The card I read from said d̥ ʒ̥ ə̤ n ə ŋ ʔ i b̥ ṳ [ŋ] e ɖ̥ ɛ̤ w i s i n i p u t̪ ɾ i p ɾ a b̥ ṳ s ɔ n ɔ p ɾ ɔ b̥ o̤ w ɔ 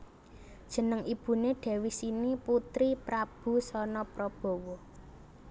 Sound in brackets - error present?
yes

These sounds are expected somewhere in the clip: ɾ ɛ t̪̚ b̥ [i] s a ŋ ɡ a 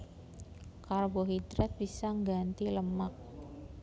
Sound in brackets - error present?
no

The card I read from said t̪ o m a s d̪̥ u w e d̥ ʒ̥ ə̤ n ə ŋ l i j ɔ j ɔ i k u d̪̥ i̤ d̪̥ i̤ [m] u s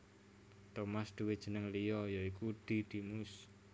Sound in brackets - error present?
no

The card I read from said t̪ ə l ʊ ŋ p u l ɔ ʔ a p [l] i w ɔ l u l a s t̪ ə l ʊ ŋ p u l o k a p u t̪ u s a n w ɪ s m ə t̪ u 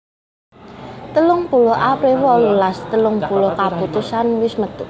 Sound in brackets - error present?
yes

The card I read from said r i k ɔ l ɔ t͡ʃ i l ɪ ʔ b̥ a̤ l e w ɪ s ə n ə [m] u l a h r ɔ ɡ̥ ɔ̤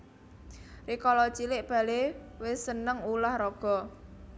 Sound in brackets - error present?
yes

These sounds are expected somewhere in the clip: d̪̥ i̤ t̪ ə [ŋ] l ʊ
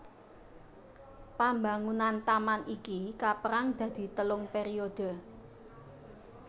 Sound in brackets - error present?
yes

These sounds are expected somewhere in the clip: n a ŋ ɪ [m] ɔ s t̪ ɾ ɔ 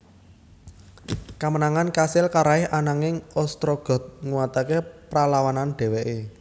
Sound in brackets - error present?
yes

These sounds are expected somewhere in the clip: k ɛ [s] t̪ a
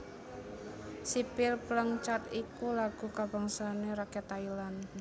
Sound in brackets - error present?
yes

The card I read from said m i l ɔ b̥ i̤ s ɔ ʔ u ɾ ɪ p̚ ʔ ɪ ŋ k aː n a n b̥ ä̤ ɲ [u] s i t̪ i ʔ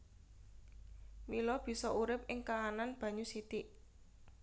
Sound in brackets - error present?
no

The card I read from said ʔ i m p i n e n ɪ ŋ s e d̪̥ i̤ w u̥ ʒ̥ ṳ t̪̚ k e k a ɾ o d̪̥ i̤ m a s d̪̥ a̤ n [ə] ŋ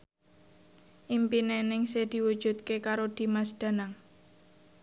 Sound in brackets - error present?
yes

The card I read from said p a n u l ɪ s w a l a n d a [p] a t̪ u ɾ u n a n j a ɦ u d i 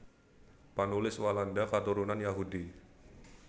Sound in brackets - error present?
yes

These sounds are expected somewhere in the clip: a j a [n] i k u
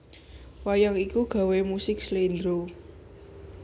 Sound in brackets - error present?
yes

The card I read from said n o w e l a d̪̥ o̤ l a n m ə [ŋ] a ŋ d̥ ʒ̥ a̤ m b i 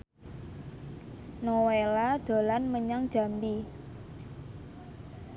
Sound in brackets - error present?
yes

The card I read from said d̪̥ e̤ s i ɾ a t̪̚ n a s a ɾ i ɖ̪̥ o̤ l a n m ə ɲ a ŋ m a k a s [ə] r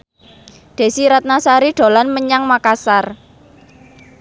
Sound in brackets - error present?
yes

